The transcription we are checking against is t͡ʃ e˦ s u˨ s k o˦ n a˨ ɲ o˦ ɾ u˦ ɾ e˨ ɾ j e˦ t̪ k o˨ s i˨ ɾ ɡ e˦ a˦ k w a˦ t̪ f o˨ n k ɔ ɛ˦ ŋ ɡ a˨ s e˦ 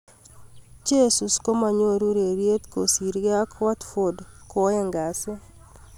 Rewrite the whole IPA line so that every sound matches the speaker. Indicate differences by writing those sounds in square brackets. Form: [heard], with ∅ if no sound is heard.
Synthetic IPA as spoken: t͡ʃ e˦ s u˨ s k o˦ [m] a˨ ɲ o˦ ɾ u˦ ɾ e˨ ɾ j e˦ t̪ k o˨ s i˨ ɾ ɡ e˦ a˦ k w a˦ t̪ f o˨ [d] k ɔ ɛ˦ ŋ ɡ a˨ s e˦